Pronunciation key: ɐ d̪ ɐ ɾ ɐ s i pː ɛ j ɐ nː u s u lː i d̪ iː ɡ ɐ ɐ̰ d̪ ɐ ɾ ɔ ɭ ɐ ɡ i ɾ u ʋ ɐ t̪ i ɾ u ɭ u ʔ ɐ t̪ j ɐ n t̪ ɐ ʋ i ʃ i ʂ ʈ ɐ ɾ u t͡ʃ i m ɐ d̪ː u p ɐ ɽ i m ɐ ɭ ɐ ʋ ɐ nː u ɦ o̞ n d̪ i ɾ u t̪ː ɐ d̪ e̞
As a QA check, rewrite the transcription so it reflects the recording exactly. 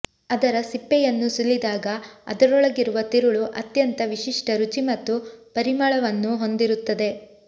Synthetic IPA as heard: ɐ d̪ ɐ ɾ ɐ s i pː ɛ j ɐ nː u s u lː i d̪ aː ɡ ɐ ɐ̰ d̪ ɐ ɾ ɔ ɭ ɐ ɡ i ɾ u ʋ ɐ t̪ i ɾ u ɭ u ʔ ɐ t̪ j ɐ n t̪ ɐ ʋ i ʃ i ʂ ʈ ɐ ɾ u t͡ʃ i m ɐ t̪ː u p ɐ ɾ i m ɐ ɭ ɐ ʋ ɐ nː u ɦ o̞ n d̪ i ɾ u t̪ː ɐ d̪ e̞